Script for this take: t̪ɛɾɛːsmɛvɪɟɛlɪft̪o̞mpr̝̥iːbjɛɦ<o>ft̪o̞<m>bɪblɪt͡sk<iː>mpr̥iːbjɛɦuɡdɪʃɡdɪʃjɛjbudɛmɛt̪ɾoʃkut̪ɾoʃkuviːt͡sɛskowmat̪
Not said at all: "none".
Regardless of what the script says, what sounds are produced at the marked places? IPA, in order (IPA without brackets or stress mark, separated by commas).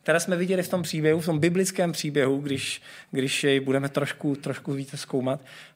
u, m, ɛː